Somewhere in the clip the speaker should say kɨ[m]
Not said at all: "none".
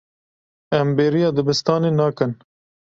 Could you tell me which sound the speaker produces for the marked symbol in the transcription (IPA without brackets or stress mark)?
n